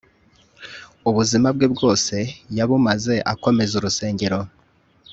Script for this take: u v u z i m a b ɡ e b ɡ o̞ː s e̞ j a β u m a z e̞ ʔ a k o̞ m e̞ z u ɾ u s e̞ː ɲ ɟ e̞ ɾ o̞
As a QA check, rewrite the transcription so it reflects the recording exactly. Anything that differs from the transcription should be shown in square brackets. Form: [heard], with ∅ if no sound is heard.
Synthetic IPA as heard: u [β] u z i m a b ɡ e b ɡ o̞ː s e̞ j a β u m a z e̞ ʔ a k o̞ m e̞ z u ɾ u s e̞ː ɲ ɟ e̞ ɾ o̞